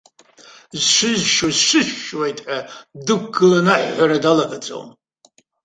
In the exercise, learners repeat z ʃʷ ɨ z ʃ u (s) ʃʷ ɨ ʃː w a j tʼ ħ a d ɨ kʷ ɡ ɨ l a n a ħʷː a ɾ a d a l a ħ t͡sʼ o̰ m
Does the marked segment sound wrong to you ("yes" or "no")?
yes